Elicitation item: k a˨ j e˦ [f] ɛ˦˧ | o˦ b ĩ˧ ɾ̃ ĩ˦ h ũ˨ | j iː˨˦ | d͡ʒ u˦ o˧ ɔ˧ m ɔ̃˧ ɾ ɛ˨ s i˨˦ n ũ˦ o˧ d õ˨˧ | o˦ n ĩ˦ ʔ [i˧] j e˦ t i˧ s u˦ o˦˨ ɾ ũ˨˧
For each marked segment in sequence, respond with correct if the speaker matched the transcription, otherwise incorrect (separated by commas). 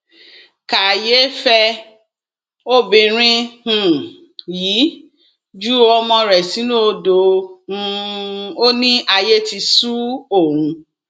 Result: correct, incorrect